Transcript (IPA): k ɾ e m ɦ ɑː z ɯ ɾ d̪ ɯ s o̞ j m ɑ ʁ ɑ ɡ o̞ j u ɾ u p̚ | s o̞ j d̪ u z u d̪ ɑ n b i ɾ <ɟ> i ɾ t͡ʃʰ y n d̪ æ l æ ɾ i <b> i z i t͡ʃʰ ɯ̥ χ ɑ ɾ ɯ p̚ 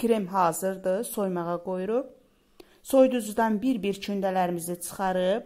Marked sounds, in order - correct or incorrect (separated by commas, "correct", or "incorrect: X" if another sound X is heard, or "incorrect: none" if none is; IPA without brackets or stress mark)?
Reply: incorrect: b, incorrect: m